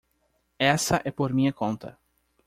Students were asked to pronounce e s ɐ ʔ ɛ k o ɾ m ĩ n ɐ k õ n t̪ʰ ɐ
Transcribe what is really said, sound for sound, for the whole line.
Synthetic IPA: ɛ s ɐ ʔ ɛ p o ɾ m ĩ ɲ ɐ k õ n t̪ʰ ɐ